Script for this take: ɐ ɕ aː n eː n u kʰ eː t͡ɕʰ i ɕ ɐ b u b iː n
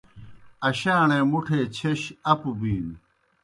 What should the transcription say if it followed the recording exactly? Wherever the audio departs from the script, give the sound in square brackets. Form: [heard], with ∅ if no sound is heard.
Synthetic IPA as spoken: ɐ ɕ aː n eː [m] u [ʈʰ] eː t͡ɕʰ [e] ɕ ɐ [p] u b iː n